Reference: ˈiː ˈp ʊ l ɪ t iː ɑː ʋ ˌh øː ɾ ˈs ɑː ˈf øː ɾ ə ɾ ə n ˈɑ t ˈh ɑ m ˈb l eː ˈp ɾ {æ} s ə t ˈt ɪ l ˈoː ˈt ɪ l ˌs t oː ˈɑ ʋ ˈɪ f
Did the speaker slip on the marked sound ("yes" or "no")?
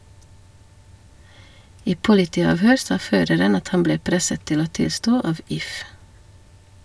yes